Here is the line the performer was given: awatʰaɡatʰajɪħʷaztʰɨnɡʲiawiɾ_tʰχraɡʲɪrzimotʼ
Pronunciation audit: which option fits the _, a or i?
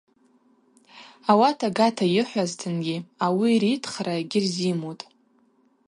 i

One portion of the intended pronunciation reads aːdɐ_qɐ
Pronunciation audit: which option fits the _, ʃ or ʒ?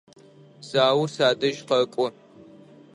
ʒ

